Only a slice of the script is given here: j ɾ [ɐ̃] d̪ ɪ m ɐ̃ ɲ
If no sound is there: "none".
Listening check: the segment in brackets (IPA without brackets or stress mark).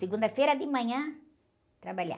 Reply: ɐ